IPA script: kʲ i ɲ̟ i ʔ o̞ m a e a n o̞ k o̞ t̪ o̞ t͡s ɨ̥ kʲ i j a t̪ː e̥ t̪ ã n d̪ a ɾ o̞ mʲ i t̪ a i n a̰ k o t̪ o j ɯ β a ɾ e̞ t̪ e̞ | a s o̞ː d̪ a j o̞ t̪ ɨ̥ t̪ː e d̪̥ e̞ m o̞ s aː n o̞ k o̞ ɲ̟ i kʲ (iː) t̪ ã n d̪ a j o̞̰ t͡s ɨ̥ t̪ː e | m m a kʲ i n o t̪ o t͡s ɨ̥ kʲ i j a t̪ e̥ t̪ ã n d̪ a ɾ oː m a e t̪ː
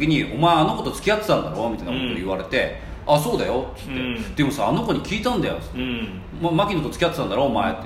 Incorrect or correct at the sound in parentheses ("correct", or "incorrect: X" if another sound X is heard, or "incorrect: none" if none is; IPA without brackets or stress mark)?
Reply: correct